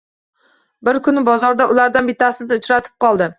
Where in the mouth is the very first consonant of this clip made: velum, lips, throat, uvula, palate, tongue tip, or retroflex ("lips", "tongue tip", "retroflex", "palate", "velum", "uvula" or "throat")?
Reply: lips